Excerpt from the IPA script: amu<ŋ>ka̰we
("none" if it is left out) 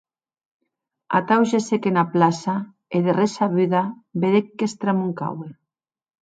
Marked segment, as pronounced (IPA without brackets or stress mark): ŋ